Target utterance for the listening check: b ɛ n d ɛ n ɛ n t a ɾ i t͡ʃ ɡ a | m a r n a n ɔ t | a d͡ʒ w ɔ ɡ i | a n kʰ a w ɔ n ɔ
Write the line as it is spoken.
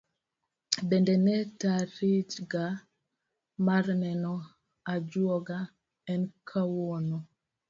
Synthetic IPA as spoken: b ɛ n d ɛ n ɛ t a ɾ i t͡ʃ ɡ a | m a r n ɛ n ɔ | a d͡ʒ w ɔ ɡ a | ɛ n kʰ a w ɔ n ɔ